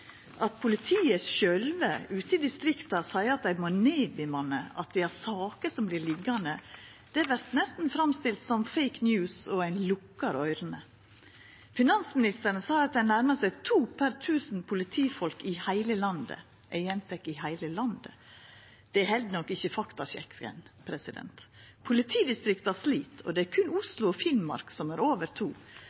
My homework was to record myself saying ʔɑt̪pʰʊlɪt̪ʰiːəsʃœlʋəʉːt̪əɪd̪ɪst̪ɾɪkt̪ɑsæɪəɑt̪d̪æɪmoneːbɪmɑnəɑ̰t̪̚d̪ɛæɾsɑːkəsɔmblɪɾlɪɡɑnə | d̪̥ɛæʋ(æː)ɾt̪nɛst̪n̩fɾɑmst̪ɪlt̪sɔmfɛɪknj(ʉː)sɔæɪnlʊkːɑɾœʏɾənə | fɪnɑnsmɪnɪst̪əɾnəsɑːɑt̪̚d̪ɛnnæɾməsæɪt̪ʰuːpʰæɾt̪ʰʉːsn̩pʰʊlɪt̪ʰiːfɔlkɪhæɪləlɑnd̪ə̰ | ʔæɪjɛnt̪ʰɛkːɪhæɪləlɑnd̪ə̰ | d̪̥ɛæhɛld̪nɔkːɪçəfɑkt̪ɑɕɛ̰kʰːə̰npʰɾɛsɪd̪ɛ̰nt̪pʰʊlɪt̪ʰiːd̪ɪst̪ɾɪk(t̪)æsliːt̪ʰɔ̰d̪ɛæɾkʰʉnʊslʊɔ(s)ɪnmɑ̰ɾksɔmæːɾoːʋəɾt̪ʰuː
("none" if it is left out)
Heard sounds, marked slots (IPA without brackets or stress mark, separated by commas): æ, ʉː, t̪, f